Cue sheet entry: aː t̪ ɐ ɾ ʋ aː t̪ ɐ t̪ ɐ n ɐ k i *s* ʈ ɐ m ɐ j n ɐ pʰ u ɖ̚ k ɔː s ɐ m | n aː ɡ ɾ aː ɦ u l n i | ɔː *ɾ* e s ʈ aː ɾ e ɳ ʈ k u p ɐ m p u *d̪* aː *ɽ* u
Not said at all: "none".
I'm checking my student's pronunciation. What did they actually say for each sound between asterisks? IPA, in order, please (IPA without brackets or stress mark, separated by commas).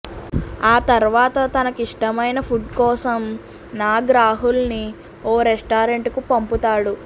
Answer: ʂ, ɾ, t̪, ɽ